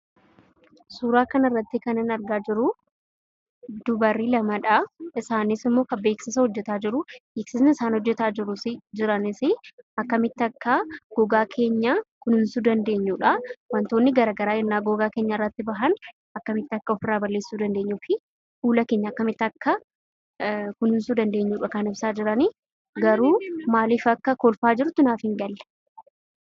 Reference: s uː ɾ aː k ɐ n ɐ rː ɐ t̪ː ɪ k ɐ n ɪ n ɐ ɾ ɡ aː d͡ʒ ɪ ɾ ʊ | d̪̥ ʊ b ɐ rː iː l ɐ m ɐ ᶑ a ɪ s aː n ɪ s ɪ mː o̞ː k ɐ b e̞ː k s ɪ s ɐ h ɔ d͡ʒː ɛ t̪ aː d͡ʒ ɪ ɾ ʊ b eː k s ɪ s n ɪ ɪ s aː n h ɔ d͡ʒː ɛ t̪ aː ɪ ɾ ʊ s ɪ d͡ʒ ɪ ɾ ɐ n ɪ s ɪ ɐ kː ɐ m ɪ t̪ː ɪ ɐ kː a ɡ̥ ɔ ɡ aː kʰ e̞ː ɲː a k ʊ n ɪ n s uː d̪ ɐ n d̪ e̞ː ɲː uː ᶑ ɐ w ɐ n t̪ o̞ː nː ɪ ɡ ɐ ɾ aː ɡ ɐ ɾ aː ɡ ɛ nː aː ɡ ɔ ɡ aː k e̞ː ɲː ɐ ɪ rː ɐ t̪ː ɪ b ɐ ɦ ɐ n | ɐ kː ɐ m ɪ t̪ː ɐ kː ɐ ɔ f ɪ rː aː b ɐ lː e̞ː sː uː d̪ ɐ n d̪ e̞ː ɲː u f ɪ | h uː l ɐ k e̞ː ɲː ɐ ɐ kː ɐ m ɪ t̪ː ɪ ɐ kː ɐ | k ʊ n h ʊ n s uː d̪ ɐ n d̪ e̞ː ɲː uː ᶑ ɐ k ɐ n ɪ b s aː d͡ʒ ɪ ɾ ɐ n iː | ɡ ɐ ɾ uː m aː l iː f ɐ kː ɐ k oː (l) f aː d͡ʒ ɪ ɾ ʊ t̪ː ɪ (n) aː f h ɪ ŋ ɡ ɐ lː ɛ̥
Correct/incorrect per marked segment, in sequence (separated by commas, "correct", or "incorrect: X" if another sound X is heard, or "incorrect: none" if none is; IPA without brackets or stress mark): correct, correct